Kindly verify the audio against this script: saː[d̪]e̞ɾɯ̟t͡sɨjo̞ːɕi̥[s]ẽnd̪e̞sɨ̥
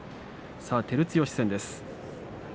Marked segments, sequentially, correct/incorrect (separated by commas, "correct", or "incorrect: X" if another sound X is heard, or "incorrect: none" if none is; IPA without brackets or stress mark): incorrect: t̪, correct